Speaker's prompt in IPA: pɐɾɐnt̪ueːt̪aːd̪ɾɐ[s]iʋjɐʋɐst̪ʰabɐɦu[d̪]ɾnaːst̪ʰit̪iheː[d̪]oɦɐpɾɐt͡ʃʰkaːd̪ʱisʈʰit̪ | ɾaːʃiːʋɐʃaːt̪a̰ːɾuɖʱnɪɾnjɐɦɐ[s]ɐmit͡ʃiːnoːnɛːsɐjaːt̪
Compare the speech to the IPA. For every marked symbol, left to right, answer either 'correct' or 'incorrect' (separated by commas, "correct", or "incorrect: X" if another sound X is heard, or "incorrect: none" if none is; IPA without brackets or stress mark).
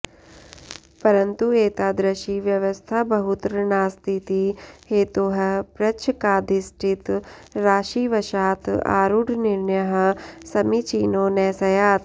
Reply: incorrect: ʃ, incorrect: t̪, incorrect: t̪, correct